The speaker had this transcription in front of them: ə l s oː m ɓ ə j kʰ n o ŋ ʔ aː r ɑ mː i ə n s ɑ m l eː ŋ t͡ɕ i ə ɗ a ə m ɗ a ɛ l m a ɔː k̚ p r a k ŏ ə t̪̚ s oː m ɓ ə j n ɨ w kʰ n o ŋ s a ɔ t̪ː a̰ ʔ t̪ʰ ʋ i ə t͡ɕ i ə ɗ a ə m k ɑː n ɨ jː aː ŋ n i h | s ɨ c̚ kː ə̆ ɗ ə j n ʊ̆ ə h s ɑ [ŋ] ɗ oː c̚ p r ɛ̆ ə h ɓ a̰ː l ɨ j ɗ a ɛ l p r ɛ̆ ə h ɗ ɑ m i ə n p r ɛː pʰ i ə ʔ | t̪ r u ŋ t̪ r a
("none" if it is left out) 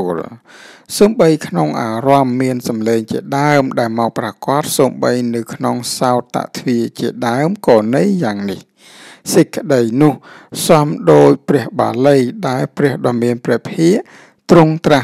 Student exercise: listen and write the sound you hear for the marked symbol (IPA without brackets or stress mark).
m